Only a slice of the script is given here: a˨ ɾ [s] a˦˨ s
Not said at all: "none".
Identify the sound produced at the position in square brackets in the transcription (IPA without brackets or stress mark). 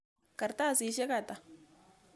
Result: t